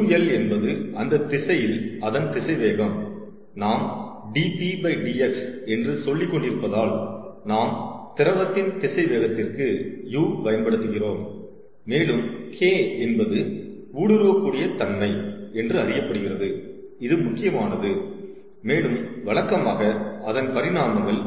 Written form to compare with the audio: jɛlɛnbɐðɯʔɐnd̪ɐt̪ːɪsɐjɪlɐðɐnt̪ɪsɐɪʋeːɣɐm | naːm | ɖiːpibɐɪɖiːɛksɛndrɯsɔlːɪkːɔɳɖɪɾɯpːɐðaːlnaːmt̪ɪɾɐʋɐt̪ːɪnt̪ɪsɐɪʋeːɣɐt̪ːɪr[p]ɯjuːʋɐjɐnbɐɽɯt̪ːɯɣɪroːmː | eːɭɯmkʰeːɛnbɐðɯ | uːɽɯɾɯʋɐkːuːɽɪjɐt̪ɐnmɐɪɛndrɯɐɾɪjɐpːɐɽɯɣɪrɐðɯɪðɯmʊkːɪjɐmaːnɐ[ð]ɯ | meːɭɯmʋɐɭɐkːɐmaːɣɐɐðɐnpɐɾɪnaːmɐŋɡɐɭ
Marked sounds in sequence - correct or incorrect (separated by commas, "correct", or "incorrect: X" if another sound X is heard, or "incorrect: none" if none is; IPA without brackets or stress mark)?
incorrect: k, correct